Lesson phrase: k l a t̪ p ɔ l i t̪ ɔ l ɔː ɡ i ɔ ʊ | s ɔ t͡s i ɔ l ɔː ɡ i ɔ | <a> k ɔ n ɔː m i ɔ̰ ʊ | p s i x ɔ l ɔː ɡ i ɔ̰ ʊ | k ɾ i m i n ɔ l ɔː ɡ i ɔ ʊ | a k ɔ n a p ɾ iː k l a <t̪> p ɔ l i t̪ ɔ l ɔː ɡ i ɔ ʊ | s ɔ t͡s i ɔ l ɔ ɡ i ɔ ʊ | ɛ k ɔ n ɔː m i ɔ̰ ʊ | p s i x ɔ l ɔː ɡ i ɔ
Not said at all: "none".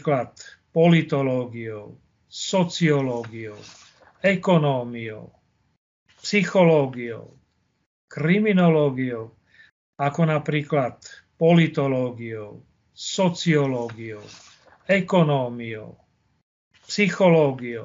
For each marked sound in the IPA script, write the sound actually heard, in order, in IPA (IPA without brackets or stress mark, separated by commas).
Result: ɛ, t̪